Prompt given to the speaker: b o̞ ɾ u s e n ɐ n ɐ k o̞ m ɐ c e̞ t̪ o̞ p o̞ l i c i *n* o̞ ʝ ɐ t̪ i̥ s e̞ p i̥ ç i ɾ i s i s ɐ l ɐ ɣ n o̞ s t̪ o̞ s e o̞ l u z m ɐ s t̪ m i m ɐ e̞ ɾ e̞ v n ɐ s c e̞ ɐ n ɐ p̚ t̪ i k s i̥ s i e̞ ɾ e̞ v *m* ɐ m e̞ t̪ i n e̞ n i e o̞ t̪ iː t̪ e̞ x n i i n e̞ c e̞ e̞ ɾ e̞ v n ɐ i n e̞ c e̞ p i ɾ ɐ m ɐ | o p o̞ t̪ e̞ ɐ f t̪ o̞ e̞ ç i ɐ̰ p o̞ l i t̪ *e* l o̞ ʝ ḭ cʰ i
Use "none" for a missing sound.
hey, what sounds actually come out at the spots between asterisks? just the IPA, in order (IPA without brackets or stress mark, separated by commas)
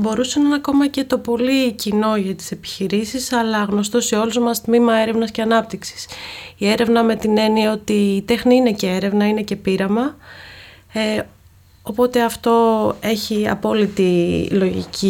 n, n, i